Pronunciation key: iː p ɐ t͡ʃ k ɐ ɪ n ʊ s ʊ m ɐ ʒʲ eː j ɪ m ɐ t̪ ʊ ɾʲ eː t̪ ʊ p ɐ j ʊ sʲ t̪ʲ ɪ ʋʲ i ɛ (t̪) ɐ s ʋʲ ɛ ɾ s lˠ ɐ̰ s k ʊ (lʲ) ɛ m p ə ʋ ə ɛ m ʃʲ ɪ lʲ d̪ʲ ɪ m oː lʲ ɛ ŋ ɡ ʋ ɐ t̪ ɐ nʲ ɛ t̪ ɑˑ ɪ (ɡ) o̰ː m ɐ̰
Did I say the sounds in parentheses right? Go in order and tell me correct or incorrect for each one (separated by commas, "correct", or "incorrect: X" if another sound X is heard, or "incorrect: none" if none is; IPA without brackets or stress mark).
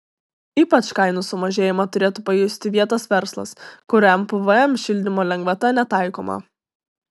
correct, incorrect: ɾʲ, incorrect: k